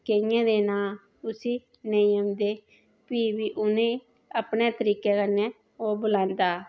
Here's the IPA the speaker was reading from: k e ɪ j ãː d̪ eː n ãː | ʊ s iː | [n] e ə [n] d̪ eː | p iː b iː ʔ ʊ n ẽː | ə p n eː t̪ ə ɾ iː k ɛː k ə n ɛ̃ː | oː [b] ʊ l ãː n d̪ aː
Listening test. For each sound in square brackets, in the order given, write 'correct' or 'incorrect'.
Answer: correct, incorrect: m, correct

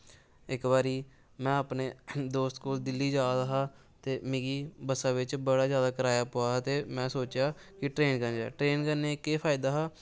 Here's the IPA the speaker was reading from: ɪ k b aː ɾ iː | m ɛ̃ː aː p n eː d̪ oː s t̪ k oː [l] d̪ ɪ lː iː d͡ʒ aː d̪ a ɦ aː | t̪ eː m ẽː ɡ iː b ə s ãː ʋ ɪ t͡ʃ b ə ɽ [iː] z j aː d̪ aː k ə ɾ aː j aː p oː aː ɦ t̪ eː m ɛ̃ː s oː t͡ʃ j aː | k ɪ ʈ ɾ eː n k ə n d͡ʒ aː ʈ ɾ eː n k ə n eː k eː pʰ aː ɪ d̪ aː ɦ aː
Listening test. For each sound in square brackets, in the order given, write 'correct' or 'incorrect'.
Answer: correct, incorrect: aː

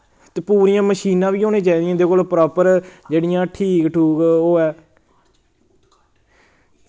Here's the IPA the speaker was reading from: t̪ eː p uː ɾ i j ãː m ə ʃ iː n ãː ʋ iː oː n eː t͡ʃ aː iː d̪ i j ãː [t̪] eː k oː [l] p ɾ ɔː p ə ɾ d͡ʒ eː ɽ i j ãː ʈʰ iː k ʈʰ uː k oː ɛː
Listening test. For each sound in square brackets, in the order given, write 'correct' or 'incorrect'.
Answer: incorrect: d̪, correct

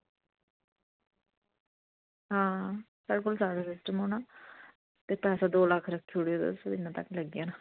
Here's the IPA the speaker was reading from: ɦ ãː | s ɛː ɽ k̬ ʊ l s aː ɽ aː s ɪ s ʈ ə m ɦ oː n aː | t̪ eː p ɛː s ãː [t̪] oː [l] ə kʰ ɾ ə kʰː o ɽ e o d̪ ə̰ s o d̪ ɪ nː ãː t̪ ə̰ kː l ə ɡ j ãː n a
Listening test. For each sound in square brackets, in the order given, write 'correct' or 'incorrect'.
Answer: incorrect: d̪, correct

